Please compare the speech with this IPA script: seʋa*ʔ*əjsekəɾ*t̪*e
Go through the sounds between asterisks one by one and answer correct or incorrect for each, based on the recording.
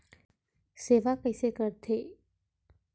incorrect, incorrect

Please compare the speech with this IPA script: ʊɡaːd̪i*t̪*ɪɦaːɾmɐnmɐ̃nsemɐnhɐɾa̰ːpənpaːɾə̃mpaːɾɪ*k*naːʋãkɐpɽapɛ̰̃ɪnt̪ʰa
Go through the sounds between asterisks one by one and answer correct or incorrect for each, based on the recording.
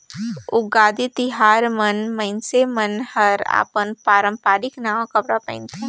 correct, correct

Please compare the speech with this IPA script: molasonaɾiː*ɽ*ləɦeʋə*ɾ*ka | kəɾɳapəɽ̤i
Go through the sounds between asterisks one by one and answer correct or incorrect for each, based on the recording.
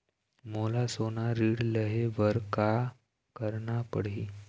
correct, correct

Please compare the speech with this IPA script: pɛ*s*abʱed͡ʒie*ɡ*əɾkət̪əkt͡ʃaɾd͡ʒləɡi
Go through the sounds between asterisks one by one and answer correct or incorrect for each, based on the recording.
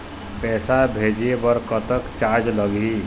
correct, incorrect

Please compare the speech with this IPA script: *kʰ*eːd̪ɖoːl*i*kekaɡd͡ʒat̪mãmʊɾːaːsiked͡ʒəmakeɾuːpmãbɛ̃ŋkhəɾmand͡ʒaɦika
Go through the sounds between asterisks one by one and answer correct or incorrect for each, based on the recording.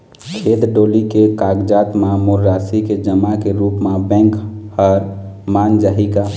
correct, correct

